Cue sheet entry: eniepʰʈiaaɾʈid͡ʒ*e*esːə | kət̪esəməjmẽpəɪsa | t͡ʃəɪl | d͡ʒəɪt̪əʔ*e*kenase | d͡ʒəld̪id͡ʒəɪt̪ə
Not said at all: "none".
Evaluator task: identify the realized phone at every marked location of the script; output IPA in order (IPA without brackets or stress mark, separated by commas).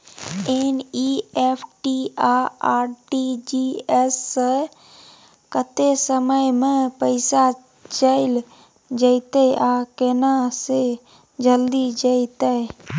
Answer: i, a